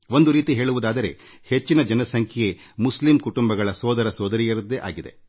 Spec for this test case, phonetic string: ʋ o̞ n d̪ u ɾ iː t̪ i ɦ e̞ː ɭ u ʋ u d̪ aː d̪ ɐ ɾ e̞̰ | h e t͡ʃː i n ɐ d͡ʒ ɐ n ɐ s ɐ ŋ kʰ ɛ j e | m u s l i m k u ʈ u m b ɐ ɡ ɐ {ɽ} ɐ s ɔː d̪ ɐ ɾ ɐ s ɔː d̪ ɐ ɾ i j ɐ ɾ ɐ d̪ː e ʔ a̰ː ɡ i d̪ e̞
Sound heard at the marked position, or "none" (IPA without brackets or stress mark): ɭ